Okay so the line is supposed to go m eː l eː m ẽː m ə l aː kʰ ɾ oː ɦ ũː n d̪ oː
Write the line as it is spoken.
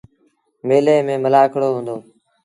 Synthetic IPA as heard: m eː l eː m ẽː m ə l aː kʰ ɽ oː ɦ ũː n d̪ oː